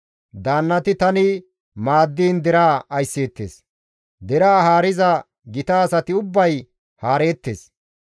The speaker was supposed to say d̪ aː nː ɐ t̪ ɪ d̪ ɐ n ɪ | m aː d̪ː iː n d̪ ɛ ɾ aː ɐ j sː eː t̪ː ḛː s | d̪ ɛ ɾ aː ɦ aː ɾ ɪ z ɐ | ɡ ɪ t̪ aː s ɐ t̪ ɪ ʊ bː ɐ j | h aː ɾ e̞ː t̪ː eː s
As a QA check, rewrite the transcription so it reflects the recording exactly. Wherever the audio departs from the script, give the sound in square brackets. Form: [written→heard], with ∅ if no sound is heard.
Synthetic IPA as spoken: d̪ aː nː ɐ t̪ ɪ [d̪→t̪] ɐ n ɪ | m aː d̪ː iː n d̪ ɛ ɾ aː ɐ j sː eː t̪ː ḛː s | d̪ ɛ ɾ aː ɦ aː ɾ ɪ z ɐ | ɡ ɪ t̪ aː s ɐ t̪ ɪ ʊ bː ɐ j | h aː ɾ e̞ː t̪ː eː s